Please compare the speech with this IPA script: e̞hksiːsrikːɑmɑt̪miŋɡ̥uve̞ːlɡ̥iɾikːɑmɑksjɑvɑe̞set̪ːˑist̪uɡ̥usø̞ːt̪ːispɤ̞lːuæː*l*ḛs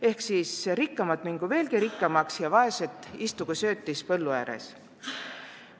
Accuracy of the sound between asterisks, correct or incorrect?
incorrect